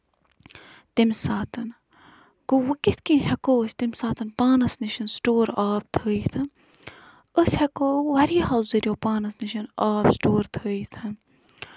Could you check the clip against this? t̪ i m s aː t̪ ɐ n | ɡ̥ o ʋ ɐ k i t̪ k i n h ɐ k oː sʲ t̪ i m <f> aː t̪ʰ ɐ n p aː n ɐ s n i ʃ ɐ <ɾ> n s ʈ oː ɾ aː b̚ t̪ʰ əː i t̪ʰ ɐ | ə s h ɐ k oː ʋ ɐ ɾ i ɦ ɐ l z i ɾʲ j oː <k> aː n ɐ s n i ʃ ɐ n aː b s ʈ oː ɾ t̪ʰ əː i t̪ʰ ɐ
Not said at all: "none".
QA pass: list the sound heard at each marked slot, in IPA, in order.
s, none, p

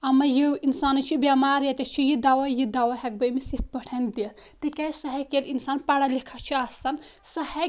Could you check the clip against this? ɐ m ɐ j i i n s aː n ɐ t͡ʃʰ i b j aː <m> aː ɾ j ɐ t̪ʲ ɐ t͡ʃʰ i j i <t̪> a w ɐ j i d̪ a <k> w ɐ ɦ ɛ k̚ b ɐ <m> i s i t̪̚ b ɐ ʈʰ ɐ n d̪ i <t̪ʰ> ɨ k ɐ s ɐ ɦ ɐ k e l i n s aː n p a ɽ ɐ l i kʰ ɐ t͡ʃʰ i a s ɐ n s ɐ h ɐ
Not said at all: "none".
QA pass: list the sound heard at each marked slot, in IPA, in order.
m, d̪, none, m, t̪

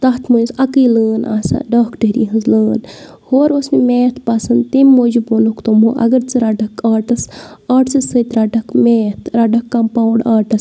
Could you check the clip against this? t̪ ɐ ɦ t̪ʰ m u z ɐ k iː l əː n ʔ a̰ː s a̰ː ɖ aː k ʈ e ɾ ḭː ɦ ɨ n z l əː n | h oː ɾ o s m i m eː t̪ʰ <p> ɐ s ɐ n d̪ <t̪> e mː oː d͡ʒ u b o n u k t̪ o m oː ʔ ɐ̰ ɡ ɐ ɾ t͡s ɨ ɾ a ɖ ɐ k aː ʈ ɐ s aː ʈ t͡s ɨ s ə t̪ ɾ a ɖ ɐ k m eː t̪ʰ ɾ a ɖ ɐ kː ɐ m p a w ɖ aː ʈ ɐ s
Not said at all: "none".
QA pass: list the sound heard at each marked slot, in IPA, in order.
p, t̪

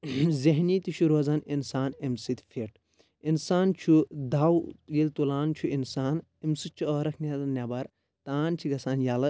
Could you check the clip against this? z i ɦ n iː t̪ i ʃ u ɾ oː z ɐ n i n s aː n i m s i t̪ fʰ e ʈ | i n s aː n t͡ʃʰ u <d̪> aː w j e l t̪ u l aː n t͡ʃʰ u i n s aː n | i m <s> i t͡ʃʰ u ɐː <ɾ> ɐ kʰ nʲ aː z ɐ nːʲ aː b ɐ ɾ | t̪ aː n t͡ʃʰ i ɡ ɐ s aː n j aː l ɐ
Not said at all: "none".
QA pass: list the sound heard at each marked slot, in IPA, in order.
d̪, s, ɾ

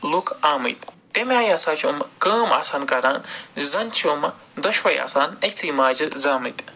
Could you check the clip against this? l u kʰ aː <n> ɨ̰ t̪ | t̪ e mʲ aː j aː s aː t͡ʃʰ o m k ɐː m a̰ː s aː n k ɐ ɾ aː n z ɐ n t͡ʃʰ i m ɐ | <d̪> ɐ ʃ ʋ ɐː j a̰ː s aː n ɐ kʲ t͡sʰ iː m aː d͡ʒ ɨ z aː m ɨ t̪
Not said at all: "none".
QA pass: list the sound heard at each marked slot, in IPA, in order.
m, d̪

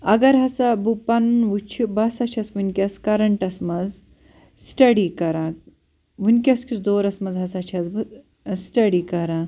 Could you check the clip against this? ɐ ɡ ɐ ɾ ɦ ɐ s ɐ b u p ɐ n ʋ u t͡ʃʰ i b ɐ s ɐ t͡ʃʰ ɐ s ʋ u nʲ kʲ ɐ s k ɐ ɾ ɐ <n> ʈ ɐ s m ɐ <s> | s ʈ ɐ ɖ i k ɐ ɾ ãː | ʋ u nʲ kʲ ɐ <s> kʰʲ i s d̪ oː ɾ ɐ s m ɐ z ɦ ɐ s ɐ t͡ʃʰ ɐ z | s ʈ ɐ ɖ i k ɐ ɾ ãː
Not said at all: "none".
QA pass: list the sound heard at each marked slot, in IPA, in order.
ɳ, z, s

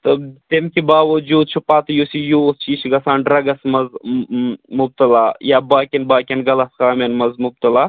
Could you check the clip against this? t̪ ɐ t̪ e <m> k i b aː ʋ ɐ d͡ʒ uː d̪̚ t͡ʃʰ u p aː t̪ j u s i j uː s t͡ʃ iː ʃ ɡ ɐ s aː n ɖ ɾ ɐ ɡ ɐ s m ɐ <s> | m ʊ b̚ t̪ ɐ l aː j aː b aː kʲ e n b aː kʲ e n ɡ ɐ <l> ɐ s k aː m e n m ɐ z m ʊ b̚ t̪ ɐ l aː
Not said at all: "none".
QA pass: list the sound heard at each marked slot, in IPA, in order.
m, z, l

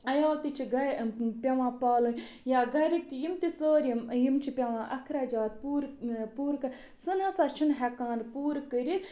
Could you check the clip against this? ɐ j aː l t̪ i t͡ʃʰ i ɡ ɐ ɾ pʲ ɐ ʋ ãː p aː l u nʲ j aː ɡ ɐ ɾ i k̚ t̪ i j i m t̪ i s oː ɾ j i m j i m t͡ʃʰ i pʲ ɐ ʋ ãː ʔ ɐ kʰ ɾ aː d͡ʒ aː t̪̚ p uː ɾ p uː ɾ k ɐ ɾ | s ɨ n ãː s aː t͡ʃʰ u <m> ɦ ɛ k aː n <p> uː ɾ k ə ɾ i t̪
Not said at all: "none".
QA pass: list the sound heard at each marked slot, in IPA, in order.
n, p

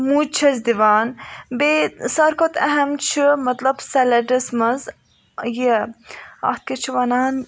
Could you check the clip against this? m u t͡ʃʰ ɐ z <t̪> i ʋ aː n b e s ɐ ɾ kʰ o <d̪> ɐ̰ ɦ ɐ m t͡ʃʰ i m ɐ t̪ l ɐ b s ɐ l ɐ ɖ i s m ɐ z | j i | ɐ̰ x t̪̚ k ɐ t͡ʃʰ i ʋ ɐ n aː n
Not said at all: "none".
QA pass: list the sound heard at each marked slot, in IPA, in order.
d̪, t̪

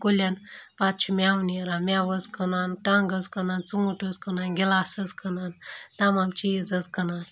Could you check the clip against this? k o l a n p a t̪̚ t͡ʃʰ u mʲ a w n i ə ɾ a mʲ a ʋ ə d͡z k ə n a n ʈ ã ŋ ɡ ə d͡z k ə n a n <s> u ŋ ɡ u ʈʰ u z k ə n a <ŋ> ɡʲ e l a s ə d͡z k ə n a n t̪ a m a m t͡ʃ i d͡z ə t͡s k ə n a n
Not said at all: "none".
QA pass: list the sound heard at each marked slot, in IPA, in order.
t͡s, n

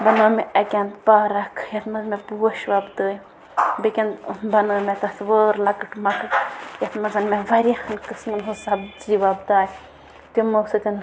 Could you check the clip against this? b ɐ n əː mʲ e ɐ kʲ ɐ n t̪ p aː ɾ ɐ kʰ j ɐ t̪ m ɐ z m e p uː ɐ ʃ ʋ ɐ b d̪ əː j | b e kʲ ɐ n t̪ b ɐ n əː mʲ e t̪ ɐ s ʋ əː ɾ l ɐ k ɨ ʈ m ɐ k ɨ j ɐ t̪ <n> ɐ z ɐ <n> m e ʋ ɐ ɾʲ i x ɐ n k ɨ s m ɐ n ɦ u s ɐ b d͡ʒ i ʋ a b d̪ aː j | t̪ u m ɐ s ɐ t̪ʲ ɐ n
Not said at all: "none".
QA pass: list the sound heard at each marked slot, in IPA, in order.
m, n

